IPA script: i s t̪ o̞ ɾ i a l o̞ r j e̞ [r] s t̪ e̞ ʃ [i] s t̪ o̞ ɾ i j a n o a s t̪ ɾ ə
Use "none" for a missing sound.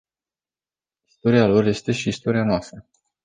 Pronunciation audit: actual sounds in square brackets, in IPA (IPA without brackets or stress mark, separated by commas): none, iː